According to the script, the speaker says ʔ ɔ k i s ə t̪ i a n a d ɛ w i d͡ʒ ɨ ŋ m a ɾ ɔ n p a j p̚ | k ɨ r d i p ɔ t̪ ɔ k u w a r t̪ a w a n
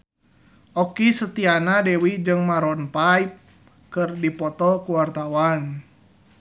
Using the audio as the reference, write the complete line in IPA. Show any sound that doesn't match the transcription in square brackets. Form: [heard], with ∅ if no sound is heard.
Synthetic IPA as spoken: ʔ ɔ k i s ə t̪ i a n a d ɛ w i d͡ʒ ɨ ŋ m a ɾ ɔ n p a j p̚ | k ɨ r d i p ɔ t̪ ɔ k u w a r t̪ a w a n